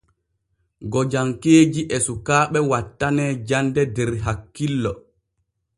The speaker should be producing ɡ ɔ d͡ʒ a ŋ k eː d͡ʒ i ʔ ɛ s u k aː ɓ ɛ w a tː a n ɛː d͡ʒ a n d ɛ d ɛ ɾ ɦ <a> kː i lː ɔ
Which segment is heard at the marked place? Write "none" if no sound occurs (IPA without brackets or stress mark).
a